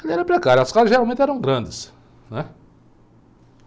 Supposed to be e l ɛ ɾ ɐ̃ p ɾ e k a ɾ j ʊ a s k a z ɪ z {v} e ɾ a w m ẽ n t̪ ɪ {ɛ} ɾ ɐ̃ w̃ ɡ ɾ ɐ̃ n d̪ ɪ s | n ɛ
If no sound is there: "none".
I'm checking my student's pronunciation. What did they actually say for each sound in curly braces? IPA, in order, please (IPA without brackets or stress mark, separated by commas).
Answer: ʒ, ɛ